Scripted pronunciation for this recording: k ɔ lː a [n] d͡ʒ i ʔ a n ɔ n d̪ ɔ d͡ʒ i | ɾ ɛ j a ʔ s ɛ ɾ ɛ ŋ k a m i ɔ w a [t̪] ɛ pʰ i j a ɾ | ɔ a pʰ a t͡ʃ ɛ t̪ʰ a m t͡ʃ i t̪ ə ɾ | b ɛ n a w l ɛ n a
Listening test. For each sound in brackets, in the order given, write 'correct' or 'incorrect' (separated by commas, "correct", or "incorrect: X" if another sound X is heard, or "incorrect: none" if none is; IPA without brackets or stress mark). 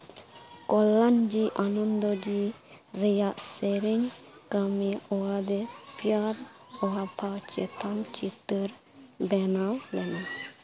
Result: correct, incorrect: d̪